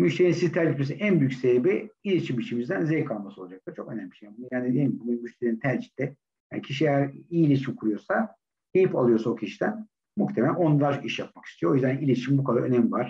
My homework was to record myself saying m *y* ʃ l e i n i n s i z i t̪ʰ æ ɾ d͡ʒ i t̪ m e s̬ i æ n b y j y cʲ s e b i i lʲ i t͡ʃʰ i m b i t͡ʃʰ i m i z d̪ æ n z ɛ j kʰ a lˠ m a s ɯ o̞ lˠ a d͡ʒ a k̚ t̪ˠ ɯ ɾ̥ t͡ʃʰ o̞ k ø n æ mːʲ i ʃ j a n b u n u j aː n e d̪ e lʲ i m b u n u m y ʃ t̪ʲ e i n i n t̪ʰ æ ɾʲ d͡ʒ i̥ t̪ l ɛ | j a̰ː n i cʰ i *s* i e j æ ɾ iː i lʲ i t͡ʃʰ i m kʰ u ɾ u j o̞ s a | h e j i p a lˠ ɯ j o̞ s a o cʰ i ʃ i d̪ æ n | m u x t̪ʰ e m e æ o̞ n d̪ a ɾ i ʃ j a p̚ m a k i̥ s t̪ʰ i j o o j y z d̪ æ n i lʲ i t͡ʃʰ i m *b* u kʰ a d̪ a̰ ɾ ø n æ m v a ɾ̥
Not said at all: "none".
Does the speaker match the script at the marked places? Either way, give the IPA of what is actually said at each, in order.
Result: y, ʃ, b

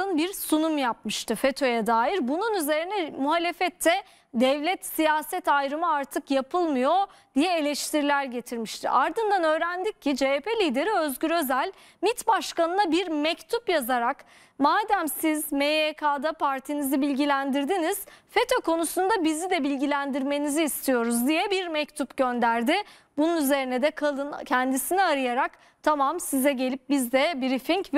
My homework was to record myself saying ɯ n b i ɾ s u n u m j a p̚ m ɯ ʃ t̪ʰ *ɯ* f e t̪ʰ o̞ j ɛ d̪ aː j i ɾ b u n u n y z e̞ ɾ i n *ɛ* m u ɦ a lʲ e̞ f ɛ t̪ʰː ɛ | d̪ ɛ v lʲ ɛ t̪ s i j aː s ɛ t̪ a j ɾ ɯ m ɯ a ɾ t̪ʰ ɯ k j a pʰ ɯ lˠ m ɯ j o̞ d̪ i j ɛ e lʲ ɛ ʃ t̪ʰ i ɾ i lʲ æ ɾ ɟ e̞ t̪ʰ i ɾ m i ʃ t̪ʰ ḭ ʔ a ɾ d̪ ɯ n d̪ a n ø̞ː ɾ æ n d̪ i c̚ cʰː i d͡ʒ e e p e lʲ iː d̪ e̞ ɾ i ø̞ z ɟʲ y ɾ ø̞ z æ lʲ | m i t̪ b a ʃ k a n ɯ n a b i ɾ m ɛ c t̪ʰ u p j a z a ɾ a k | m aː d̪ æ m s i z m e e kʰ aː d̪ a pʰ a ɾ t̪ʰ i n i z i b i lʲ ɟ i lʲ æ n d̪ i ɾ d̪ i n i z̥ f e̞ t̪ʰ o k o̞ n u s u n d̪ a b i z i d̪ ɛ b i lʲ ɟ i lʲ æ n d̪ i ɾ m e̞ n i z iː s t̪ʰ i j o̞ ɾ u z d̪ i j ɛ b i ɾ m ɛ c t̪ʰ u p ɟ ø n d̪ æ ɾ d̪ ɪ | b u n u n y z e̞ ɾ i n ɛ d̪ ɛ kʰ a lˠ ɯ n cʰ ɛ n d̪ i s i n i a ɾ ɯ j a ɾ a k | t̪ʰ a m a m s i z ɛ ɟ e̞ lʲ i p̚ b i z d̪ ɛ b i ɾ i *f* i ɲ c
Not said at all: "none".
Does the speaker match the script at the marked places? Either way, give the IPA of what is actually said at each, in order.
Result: ɯ, ɛ, f

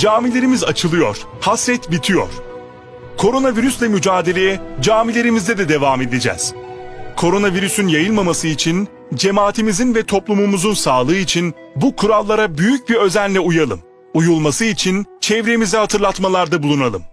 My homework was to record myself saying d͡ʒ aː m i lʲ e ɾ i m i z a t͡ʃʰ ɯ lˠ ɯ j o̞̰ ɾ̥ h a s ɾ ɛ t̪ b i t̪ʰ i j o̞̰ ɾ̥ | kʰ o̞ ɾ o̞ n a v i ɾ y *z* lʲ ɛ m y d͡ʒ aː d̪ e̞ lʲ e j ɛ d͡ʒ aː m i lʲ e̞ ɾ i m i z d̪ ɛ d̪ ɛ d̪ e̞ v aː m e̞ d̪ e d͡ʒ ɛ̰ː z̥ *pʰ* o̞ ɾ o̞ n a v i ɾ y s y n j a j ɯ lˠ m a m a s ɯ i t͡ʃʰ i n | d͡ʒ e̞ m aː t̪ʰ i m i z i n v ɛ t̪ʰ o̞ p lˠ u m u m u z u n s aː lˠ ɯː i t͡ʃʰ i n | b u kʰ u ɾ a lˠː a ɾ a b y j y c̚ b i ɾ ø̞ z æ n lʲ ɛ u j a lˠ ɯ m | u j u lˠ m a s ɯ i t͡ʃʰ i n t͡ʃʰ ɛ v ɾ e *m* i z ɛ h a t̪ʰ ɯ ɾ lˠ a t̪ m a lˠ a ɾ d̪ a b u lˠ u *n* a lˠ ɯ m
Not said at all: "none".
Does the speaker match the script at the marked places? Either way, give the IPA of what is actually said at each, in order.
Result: s, kʰ, m, n

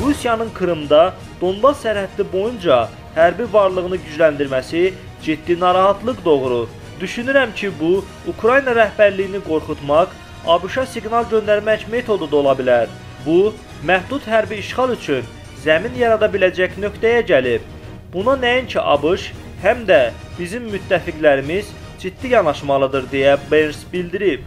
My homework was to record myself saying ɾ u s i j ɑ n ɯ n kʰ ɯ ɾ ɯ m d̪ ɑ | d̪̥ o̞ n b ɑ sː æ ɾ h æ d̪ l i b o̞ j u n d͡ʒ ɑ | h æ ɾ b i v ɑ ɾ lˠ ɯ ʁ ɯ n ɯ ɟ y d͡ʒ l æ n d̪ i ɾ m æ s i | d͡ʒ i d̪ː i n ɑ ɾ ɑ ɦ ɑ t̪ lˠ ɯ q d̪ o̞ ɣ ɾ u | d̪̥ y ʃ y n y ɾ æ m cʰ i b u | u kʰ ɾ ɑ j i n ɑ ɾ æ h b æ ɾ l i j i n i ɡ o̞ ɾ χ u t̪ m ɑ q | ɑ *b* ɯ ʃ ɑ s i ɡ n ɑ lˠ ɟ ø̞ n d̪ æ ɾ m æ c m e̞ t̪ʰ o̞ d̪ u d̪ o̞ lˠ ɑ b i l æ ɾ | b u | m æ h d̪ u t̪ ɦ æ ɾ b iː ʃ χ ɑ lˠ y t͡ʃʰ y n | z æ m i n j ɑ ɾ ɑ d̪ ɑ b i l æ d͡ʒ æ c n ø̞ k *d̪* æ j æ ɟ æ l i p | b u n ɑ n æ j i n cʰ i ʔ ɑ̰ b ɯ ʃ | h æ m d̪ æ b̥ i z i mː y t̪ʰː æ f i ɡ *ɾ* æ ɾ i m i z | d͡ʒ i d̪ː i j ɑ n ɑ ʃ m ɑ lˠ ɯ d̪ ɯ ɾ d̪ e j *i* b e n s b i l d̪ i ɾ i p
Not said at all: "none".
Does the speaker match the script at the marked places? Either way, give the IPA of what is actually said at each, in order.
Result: b, t̪, l, æ

